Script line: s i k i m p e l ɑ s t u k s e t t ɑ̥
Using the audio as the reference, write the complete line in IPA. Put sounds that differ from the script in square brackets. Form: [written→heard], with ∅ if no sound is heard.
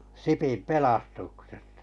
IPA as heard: s i [k→p] i m p e l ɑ s t u k s e [t→s] t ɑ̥